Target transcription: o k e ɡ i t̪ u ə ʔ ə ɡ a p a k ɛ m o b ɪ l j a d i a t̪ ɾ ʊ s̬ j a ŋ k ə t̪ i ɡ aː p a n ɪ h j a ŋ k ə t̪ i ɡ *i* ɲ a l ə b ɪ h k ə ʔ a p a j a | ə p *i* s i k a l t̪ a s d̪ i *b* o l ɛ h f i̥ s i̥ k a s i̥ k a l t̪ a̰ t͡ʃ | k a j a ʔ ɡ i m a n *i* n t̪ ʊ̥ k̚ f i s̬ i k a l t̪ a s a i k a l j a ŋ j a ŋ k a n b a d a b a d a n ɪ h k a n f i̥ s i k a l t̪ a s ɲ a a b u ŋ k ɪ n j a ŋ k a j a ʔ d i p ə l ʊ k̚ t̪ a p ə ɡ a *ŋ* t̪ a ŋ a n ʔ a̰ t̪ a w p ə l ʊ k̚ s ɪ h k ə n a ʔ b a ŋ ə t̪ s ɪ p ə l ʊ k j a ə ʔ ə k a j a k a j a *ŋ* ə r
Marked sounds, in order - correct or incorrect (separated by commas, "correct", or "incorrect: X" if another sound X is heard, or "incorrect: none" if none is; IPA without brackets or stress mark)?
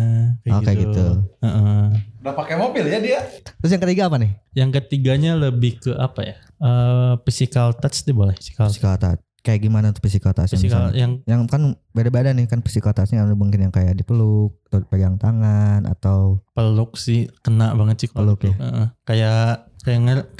incorrect: a, correct, correct, incorrect: a, correct, correct